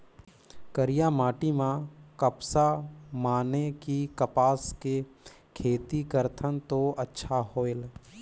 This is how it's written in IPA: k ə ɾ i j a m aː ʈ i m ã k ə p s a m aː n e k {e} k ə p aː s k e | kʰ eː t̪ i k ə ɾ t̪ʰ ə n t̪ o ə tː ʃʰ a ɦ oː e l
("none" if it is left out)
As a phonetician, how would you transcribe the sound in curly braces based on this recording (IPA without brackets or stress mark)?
i